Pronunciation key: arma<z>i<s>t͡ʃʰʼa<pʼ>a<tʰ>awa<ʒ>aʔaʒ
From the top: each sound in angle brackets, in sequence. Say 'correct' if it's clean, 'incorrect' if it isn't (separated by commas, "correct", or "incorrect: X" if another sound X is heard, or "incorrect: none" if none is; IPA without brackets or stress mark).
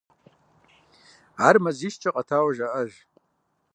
correct, incorrect: ʃ, incorrect: qʼ, correct, correct